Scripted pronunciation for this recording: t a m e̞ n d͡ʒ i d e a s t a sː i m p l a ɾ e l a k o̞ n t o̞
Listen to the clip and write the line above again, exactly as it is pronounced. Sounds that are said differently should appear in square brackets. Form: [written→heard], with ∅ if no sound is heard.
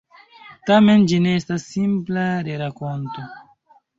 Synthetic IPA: t a m e̞ n d͡ʒ i [d→n] e [a→e] s t a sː i m p l a ɾ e [l→ɾ] a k o̞ n t o̞

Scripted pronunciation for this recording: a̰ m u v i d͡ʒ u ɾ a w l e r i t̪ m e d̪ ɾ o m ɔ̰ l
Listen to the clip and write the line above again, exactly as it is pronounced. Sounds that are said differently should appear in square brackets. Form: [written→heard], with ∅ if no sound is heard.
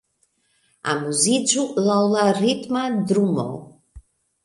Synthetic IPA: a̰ m u [v→z] i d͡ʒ u [ɾ→l] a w l [e→a] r i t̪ m [e→a] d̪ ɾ [o→u] m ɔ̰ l

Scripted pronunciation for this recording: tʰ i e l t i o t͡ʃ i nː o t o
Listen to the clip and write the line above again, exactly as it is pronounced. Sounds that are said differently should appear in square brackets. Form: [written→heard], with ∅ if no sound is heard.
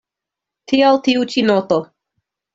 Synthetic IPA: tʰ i [e→a] l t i [o→u] t͡ʃ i [nː→n] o t o

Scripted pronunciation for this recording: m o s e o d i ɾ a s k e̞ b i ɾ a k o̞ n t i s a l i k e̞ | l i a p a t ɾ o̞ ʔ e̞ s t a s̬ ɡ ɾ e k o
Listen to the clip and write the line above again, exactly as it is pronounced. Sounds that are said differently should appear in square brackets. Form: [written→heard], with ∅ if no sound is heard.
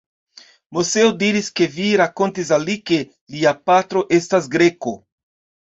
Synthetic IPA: m o s e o d i ɾ [a→i] s k e̞ [b→v] i ɾ a k o̞ n t i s a l i k e̞ | l i a p a t ɾ o̞ ʔ e̞ s t a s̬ ɡ ɾ e k o

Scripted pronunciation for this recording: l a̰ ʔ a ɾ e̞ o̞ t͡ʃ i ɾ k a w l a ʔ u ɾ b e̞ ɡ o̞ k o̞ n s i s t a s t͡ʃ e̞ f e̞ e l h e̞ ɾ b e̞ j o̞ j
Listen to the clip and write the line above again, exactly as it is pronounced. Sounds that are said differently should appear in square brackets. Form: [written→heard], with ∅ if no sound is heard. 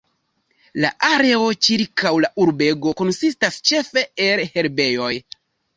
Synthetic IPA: l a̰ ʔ a ɾ e̞ o̞ t͡ʃ i ɾ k a w l a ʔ u ɾ b e̞ ɡ o̞ k o̞ n s i s t a s t͡ʃ e̞ f e̞ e l h e̞ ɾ b e̞ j o̞ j

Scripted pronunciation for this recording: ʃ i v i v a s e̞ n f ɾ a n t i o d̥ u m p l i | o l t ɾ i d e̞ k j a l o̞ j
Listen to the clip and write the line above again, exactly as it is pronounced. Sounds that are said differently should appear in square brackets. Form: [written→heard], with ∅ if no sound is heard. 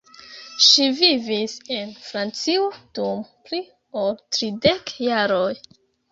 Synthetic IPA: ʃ i v i v [a→i] s e̞ n f ɾ a n [t→t͡s] i o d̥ u m p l i | o l t ɾ i d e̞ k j a [l→ɾ] o̞ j

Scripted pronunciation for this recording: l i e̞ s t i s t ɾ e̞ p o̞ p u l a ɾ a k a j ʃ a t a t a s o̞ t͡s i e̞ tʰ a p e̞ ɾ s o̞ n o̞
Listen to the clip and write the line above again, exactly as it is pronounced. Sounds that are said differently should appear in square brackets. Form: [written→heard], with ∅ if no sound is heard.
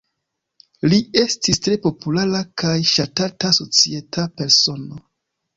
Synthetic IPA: l i e̞ s t i s t ɾ e̞ p o̞ p u l a ɾ a k a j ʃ a t a t a s o̞ t͡s i e̞ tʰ a p e̞ ɾ s o̞ n o̞

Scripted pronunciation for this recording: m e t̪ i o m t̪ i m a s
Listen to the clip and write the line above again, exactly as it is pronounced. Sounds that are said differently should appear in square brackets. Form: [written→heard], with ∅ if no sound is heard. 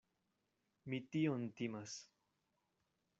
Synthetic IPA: m [e→i] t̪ i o [m→n] t̪ i m a s

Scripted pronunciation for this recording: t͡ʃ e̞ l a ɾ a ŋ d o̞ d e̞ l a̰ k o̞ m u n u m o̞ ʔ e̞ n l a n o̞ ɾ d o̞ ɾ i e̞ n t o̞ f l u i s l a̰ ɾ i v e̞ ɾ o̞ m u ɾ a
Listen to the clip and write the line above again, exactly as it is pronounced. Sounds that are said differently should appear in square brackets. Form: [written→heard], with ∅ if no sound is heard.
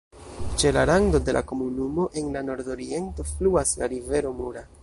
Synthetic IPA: t͡ʃ e̞ l a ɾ a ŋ d o̞ d e̞ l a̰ k o̞ m u n u m o̞ ʔ e̞ n l a n o̞ ɾ d o̞ ɾ i e̞ n t o̞ f l u [i→a] s l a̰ ɾ i v e̞ ɾ o̞ m u ɾ a

